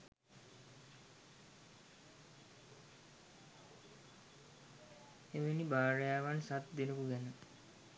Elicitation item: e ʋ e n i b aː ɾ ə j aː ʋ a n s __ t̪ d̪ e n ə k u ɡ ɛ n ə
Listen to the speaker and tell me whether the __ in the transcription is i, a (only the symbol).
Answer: a